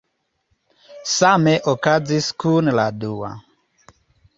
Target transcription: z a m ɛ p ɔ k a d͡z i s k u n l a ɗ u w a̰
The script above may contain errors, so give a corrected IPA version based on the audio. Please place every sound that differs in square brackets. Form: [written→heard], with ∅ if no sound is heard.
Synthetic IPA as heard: [z→s] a m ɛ [p→ʔ] ɔ k a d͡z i s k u n l a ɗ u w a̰